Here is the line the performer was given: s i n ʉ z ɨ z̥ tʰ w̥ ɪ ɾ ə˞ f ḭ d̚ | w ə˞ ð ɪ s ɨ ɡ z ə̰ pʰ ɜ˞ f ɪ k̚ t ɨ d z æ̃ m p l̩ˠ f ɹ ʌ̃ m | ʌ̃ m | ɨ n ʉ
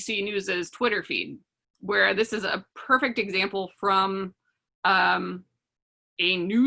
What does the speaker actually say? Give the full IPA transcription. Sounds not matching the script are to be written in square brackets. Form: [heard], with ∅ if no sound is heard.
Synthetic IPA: s i n ʉ z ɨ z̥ tʰ w̥ ɪ ɾ ə˞ f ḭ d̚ | w ə˞ ð ɪ s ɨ [∅] z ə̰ pʰ ɜ˞ f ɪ k̚ t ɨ [ɡ] z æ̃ m p l̩ˠ f ɹ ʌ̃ m | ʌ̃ m | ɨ n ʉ